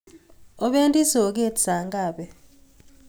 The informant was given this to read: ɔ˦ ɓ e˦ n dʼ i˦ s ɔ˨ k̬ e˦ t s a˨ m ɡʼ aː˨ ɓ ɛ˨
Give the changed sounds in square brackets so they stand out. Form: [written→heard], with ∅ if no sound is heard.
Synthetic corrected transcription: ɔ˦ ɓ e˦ n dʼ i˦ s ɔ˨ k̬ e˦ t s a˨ [m→ŋ] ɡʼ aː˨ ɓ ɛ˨